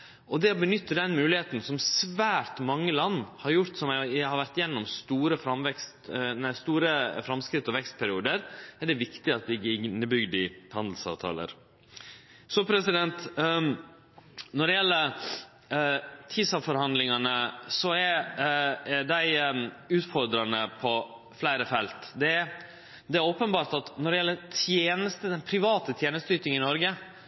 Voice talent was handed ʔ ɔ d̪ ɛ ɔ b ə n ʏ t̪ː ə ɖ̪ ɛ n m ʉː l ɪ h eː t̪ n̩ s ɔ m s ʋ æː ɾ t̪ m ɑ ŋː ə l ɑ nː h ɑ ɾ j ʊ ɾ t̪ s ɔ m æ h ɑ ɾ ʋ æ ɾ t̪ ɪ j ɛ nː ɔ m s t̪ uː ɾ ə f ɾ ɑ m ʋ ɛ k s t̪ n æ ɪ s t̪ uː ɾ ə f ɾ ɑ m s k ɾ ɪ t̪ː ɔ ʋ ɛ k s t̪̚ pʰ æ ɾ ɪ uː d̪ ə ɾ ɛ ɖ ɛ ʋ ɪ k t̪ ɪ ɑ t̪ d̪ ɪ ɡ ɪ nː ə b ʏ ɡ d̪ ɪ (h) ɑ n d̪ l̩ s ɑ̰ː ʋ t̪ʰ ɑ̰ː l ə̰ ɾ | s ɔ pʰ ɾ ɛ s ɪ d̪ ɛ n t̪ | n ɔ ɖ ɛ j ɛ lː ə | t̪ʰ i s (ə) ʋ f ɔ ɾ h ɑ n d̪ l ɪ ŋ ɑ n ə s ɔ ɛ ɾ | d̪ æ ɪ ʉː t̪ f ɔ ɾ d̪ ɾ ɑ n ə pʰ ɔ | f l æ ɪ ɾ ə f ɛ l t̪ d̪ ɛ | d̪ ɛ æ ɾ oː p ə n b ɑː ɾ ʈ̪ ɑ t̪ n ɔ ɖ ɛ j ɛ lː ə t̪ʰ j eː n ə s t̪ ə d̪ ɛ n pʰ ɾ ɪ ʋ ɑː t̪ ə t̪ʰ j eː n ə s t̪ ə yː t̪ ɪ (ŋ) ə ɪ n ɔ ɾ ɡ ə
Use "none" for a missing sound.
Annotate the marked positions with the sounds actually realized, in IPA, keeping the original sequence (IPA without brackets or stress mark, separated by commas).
h, ɑ, ŋ